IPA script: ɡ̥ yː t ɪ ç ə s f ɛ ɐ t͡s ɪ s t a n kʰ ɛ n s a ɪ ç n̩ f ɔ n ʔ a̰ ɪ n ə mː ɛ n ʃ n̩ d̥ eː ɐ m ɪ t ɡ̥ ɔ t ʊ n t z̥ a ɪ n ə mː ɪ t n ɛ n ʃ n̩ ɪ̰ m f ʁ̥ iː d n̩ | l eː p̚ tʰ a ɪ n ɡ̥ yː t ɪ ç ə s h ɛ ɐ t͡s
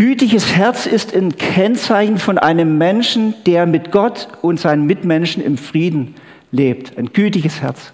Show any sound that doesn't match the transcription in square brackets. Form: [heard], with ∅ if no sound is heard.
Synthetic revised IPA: ɡ̥ yː t ɪ ç ə s [h] ɛ ɐ t͡s ɪ s t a n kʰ ɛ n [t͡s] a ɪ ç n̩ f ɔ n ʔ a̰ ɪ n ə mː ɛ n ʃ n̩ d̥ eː ɐ m ɪ t ɡ̥ ɔ t ʊ n t z̥ a ɪ n ə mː ɪ t [m] ɛ n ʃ n̩ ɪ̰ m f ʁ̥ iː d n̩ | l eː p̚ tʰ a ɪ n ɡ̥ yː t ɪ ç ə s h ɛ ɐ t͡s